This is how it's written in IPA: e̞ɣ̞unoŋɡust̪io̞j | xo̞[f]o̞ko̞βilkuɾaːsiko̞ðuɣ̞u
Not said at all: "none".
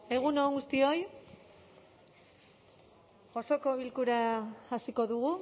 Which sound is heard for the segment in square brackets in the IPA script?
s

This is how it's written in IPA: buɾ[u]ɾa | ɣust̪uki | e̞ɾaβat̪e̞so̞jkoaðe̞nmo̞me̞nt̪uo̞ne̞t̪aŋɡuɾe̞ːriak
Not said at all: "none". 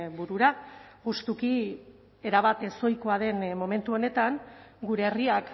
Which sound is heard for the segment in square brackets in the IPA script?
u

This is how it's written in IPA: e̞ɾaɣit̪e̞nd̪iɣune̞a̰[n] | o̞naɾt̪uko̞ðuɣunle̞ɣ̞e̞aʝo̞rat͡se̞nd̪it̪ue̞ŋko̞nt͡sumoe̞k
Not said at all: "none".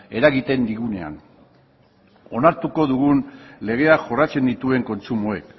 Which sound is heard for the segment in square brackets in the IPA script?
n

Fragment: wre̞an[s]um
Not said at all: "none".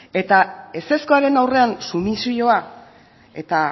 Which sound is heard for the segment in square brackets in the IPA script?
s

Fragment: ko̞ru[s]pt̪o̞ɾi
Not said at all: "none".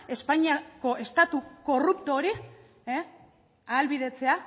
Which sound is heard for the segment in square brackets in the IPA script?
none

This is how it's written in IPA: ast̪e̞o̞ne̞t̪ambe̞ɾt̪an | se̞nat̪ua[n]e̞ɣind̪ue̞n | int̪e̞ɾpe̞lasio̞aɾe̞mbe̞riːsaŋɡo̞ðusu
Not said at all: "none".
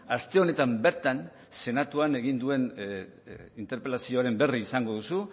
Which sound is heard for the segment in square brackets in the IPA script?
n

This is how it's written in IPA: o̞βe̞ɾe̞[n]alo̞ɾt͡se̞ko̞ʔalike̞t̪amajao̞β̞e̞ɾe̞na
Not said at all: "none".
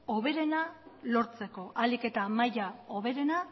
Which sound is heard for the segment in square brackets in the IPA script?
n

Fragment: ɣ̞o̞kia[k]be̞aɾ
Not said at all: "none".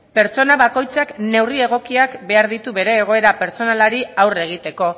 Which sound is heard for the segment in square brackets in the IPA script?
k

